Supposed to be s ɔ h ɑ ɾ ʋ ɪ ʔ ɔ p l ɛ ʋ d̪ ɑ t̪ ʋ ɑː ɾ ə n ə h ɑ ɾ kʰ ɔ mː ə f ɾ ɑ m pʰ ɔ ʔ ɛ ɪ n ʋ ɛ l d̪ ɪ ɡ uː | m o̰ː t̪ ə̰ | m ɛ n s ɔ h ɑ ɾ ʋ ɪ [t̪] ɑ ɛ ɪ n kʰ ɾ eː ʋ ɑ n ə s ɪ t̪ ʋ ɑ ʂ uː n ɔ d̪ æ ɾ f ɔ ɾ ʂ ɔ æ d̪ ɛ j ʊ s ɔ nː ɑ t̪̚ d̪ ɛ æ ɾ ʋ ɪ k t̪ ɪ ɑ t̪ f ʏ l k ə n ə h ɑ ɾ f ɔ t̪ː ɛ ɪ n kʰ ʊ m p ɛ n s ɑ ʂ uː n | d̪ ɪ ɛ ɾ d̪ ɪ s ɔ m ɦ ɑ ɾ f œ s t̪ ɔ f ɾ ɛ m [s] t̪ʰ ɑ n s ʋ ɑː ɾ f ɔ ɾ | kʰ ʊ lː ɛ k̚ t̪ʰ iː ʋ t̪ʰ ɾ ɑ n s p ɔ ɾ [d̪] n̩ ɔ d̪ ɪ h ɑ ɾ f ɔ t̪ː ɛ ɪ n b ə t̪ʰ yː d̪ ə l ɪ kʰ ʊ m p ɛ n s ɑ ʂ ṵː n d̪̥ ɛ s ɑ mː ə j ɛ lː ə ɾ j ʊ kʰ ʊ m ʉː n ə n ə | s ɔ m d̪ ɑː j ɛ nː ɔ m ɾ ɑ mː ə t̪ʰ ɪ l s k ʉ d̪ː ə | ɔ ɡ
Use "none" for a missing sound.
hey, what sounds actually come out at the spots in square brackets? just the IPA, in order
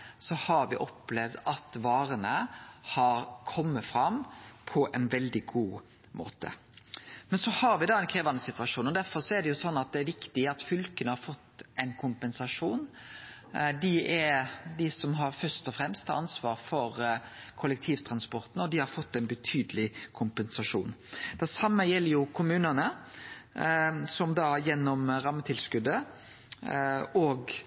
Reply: d̪, s, t̪

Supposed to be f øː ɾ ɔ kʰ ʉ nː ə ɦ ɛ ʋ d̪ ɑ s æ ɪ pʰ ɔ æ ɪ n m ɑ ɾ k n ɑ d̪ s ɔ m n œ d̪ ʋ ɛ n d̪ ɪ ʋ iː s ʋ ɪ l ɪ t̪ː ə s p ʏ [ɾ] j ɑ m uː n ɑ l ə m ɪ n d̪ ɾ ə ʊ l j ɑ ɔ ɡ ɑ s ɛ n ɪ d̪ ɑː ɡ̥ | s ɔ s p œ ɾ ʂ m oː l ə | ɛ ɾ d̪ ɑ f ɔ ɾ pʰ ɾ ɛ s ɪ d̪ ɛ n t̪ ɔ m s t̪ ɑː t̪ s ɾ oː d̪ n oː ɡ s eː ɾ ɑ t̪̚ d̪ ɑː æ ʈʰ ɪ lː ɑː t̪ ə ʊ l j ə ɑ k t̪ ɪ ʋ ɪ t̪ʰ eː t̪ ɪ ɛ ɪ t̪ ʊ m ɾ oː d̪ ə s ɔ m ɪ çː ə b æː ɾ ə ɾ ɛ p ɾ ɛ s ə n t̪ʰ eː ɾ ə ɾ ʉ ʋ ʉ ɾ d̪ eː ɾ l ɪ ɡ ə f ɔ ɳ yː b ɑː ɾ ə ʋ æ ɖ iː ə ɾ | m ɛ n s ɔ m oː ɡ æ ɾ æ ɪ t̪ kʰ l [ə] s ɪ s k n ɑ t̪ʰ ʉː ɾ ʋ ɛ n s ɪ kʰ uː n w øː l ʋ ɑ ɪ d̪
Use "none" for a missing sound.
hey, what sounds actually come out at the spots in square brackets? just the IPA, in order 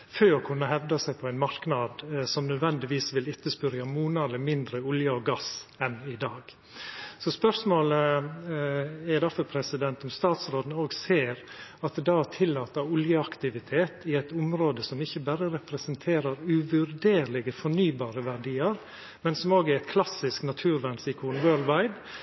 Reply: ɾ, ɑ

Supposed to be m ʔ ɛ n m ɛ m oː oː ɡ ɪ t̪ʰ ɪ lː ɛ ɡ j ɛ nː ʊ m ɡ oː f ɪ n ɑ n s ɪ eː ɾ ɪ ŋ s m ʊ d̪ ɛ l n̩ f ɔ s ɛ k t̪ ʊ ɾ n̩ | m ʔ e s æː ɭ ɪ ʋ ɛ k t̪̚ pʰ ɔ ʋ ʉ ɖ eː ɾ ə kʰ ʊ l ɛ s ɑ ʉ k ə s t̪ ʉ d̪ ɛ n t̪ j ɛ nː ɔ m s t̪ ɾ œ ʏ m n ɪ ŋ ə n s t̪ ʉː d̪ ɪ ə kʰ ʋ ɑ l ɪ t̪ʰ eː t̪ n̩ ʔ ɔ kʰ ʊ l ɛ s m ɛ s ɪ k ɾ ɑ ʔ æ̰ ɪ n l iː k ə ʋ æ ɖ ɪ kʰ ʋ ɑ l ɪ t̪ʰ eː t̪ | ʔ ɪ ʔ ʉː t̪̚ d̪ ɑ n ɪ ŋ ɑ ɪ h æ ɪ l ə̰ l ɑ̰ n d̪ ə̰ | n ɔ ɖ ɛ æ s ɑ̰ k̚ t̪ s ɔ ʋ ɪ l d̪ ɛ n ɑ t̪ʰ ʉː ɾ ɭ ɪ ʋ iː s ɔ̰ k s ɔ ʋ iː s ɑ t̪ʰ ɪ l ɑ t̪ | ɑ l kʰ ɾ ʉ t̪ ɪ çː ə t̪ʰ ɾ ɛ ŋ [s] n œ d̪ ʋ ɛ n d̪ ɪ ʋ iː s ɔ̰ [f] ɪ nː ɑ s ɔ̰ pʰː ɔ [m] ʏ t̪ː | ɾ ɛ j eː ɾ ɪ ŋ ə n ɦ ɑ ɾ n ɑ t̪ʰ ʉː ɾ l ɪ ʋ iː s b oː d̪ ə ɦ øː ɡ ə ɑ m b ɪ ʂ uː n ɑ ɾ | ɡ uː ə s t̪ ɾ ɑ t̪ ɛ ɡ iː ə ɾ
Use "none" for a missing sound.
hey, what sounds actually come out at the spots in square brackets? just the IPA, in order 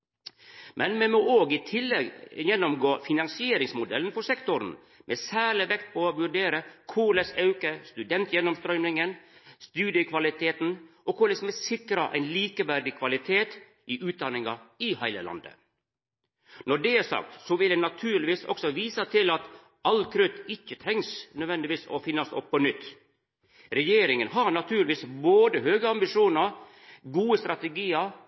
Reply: s, f, n

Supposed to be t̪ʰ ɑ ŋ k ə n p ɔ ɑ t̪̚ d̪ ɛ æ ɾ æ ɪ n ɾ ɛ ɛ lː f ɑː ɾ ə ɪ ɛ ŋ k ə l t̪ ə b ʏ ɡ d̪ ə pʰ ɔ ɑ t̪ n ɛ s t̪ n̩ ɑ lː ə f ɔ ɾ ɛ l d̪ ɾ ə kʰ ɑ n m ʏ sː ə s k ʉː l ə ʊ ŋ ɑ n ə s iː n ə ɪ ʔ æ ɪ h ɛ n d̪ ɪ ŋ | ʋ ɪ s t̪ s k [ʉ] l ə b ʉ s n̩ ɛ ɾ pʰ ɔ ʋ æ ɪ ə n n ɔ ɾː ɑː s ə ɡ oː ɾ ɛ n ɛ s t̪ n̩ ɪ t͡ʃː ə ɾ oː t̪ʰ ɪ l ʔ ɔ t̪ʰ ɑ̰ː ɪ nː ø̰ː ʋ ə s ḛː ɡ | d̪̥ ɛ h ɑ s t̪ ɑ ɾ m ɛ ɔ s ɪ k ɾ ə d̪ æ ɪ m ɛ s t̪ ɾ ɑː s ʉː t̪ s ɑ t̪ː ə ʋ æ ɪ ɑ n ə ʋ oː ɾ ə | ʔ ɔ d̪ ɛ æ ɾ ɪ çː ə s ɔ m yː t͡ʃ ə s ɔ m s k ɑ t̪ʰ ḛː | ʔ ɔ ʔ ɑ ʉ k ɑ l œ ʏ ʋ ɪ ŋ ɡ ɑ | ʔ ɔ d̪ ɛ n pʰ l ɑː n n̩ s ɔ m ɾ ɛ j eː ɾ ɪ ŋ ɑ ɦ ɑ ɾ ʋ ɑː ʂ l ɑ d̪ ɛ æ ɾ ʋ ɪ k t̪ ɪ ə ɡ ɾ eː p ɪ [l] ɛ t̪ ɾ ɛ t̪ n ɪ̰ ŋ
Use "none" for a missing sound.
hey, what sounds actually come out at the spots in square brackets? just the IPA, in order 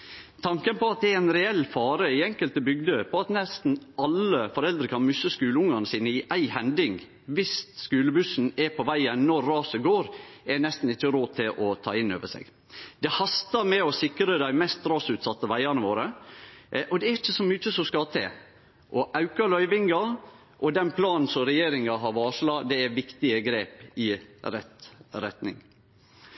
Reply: ʉː, ɾ

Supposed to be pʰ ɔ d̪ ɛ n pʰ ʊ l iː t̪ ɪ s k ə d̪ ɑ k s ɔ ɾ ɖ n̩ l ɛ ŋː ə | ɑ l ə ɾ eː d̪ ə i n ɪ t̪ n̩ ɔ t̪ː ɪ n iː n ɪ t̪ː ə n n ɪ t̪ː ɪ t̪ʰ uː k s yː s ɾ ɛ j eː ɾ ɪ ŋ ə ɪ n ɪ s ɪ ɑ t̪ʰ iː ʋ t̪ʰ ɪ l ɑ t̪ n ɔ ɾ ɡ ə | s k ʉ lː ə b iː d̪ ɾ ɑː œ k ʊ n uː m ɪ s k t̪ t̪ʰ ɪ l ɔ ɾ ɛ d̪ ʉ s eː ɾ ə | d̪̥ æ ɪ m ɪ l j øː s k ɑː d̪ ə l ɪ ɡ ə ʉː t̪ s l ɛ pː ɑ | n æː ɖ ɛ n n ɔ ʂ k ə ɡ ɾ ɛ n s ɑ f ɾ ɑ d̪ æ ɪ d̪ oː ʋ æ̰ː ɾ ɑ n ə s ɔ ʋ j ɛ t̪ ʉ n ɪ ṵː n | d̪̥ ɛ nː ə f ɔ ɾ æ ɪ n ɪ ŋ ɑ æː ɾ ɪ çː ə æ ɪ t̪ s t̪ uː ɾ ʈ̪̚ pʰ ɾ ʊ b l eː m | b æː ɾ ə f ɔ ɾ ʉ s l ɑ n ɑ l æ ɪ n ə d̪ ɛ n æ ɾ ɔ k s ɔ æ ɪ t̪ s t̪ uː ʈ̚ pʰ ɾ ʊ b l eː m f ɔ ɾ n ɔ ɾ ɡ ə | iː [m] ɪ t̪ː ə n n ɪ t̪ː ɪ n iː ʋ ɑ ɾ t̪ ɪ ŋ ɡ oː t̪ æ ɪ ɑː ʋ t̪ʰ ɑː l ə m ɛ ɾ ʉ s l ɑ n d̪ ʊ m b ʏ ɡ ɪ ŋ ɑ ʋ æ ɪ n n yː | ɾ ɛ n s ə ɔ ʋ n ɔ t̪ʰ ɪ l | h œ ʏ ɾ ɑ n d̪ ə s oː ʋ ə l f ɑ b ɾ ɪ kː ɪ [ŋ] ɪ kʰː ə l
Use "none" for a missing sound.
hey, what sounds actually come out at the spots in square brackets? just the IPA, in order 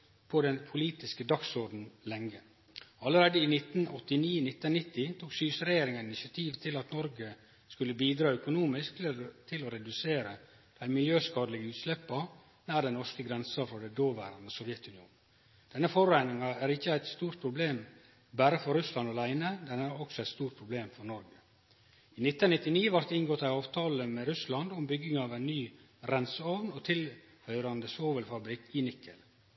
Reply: n, n

